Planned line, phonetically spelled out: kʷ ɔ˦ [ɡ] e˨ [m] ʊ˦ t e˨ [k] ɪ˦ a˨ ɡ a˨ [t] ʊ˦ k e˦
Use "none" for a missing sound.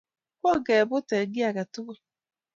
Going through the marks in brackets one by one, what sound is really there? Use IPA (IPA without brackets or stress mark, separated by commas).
ɡ, b, ɡ, t